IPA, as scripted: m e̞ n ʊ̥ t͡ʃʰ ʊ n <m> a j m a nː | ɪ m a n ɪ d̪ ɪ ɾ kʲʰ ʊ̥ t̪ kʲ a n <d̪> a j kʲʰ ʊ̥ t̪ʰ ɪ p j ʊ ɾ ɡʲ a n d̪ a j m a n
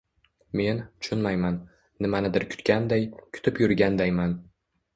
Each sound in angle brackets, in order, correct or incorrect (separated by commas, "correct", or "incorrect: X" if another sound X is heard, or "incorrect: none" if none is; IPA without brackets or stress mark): correct, correct